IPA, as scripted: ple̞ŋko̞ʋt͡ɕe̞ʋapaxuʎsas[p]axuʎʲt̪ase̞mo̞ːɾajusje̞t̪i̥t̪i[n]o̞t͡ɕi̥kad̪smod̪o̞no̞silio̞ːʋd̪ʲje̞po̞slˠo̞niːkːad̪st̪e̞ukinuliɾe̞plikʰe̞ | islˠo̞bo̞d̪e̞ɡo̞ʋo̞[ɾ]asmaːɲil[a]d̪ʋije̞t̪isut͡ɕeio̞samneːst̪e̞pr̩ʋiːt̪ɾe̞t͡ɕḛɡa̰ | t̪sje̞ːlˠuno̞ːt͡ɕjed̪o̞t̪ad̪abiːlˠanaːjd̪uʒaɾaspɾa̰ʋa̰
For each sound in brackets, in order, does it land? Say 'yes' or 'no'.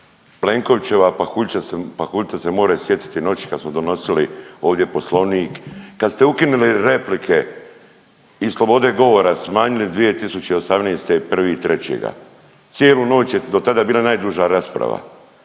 yes, yes, yes, no

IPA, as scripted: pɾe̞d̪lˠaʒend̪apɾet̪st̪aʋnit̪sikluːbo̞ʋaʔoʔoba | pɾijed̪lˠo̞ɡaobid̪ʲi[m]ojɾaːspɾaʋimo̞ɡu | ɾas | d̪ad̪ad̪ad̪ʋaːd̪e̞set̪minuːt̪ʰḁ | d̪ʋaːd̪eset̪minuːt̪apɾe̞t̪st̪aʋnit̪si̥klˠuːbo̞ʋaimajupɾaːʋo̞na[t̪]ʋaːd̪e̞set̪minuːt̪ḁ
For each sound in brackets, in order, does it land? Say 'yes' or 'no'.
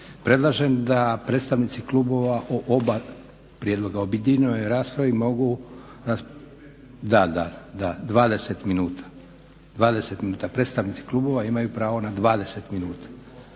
no, no

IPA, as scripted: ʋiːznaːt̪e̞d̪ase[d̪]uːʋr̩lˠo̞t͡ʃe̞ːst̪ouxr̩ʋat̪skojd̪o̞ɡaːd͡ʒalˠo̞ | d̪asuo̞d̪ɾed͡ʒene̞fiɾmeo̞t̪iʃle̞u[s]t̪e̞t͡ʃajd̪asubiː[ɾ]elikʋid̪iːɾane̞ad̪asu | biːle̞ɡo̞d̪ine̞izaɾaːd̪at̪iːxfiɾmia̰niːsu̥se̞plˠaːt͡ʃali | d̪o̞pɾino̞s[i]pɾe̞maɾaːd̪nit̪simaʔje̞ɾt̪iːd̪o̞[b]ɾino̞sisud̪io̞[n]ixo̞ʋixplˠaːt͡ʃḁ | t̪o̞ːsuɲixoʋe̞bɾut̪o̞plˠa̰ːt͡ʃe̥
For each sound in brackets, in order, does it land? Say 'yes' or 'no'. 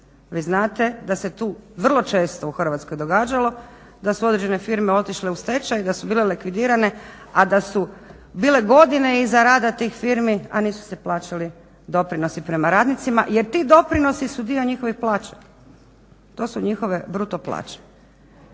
no, yes, no, yes, no, no

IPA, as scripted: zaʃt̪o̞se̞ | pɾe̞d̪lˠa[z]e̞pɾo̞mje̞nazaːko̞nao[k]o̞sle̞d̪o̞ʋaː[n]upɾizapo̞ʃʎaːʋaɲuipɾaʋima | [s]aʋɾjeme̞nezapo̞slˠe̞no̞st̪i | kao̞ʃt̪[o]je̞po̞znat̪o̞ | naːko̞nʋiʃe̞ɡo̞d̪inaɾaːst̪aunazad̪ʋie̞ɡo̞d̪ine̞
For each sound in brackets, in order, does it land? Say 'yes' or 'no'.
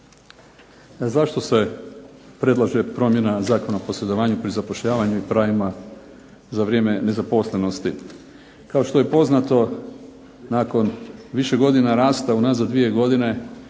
no, no, no, no, yes

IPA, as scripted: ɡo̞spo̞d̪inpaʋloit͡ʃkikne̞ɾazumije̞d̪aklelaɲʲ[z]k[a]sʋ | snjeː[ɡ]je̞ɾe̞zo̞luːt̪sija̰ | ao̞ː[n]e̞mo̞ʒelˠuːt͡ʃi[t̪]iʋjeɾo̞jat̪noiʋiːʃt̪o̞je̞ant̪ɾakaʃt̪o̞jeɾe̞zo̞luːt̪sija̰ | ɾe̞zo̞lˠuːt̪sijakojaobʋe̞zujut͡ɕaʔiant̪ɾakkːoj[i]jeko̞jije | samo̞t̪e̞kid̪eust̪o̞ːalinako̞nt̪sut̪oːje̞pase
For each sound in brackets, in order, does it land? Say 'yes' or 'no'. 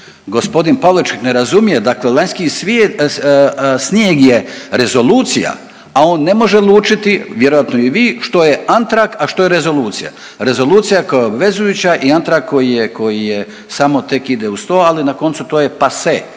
no, no, yes, no, yes, yes

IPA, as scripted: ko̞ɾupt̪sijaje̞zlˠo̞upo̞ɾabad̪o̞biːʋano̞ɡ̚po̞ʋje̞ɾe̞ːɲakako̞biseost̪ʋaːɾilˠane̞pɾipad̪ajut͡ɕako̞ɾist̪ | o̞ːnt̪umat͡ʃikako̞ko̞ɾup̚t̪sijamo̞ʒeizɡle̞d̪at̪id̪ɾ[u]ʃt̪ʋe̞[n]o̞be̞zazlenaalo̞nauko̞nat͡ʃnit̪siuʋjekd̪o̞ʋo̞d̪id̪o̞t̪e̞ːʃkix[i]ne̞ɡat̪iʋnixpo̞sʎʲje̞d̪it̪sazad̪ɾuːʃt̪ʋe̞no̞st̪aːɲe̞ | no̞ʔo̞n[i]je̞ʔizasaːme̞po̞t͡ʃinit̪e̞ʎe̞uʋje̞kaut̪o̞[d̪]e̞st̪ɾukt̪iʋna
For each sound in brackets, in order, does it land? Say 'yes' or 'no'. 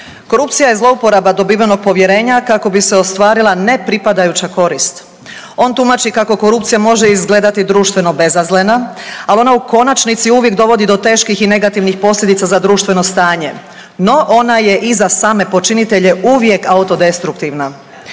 no, yes, yes, no, yes

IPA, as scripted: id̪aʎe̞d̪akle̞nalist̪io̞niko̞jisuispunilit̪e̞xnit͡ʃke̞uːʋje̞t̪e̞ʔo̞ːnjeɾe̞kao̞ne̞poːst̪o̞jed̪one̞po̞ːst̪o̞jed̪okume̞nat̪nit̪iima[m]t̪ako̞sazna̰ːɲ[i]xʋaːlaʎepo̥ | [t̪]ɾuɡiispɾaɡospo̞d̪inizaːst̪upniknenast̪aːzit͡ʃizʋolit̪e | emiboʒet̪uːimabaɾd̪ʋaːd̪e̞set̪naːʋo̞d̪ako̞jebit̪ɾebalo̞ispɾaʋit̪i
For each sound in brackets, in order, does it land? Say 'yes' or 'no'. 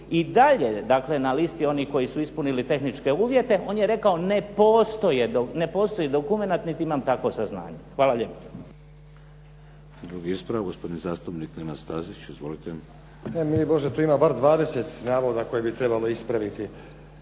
yes, no, no

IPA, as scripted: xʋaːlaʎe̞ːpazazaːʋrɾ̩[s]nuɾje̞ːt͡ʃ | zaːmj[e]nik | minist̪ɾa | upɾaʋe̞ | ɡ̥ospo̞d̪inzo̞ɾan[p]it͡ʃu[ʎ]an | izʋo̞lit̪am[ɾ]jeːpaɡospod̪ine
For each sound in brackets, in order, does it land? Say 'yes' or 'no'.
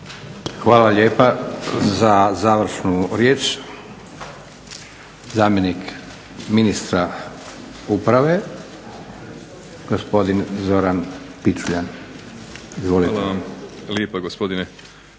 no, yes, yes, yes, no

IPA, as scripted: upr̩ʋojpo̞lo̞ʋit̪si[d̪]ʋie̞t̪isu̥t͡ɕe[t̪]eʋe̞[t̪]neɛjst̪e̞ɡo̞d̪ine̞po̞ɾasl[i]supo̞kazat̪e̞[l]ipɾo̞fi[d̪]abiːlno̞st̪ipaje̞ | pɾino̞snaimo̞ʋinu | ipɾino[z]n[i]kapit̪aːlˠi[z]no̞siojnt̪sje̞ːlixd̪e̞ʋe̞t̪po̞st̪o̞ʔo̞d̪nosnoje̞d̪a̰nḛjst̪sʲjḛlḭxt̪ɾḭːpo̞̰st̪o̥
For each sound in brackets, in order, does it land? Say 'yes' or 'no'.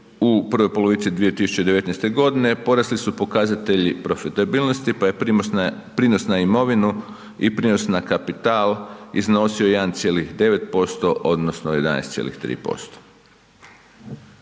yes, no, yes, yes, no, no, no, no, yes

